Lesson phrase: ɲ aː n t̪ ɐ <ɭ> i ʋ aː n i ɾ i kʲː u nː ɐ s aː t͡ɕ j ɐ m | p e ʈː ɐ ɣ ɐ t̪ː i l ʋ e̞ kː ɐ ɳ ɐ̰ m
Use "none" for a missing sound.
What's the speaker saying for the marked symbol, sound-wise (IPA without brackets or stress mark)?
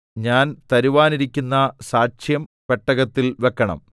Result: ɾ